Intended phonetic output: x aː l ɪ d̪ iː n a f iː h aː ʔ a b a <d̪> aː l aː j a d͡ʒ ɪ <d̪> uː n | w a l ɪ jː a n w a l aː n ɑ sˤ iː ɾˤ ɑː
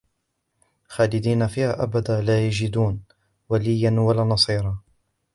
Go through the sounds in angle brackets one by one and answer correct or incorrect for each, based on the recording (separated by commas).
correct, correct